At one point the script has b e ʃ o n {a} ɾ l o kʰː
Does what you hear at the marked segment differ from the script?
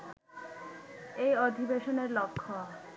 yes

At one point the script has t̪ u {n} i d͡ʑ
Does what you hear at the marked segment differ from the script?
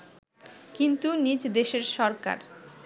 no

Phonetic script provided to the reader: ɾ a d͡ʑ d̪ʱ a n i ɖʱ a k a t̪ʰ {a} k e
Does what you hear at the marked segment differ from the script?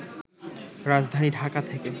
yes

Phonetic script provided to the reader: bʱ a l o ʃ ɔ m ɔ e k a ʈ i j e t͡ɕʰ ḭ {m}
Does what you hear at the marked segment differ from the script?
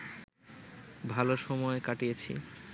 yes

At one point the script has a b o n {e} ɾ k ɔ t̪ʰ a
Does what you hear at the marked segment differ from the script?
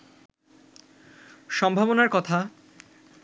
yes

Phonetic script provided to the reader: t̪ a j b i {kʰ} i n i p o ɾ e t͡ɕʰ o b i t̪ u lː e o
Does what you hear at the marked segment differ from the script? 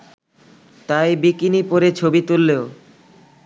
yes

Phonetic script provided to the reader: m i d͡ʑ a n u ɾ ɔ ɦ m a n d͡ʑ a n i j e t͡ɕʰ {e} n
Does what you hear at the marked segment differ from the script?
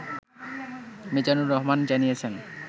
no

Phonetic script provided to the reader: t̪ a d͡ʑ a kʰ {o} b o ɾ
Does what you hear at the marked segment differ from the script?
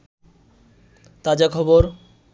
yes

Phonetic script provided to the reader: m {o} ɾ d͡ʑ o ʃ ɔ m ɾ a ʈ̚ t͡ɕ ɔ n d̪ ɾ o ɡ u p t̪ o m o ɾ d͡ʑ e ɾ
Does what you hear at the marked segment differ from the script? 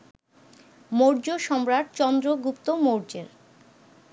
no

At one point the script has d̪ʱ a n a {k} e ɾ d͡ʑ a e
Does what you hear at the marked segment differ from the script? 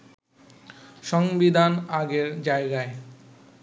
yes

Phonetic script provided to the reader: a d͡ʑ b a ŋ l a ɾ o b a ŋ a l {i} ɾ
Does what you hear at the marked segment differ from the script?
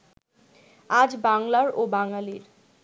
no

